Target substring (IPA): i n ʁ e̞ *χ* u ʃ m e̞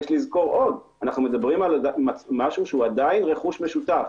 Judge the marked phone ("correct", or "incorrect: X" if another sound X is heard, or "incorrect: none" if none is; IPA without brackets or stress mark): correct